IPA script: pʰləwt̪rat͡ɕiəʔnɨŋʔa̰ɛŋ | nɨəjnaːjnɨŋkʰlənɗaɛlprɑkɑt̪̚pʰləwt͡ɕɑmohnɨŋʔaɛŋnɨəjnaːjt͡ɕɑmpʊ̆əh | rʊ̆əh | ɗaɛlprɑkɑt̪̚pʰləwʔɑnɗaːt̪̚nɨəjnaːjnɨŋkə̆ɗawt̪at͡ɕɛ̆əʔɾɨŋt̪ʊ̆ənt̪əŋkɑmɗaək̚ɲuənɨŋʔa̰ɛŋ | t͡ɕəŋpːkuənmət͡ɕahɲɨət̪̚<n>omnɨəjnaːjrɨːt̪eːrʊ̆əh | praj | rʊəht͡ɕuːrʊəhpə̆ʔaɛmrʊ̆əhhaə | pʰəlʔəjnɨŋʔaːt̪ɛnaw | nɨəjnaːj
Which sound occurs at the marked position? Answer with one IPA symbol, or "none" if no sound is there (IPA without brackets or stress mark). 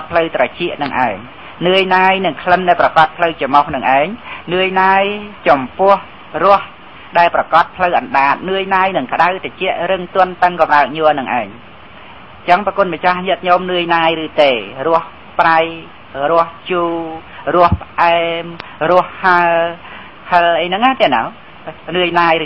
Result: ɲ